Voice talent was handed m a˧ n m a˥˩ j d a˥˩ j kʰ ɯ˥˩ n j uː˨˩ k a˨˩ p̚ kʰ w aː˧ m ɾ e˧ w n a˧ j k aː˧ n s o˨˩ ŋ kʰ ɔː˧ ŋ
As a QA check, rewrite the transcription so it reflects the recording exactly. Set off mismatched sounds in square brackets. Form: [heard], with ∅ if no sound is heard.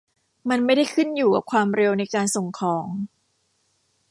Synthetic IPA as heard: m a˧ n m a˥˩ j d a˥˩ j kʰ ɯ˥˩ n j uː˨˩ k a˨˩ p̚ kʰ w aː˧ m ɾ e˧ w n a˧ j k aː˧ n s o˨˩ ŋ kʰ [ɔː˩˦] ŋ